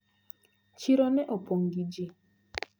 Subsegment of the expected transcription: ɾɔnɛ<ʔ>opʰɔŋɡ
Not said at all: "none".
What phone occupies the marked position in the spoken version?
ʔ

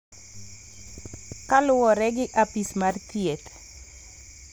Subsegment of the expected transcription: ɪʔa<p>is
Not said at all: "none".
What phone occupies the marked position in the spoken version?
p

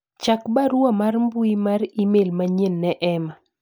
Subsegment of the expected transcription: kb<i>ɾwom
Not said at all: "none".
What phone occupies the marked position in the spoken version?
a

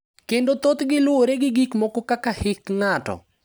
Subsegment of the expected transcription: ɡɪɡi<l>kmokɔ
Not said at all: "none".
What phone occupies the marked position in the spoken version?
none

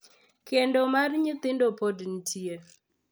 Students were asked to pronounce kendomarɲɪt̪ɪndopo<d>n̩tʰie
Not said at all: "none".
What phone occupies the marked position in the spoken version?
d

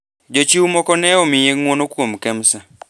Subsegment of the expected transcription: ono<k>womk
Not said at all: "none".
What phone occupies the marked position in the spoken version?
k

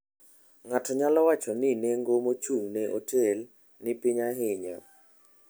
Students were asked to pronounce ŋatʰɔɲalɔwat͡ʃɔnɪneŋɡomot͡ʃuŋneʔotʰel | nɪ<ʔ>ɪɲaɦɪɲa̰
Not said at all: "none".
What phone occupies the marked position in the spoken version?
p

